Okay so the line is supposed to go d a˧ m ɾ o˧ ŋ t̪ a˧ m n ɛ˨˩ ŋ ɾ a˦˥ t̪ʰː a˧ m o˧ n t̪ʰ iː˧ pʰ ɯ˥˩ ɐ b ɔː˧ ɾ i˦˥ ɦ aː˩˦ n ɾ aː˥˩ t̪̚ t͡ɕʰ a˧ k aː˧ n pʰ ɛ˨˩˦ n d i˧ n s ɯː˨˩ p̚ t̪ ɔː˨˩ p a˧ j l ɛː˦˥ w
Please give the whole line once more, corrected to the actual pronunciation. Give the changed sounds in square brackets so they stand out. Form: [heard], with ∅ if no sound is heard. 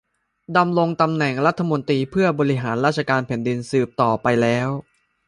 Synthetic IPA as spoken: d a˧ m ɾ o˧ ŋ t̪ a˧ m n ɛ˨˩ ŋ ɾ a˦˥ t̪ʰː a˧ m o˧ n [t̪] iː˧ pʰ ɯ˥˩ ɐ b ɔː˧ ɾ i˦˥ ɦ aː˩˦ n ɾ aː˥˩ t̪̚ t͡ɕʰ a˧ k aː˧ n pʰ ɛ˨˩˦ n d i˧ n s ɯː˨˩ p̚ t̪ ɔː˨˩ p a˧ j l ɛː˦˥ w